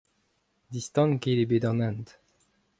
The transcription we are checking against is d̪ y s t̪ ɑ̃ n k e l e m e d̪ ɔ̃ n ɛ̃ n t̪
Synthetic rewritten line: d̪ i s t̪ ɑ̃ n k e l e b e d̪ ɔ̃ n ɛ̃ n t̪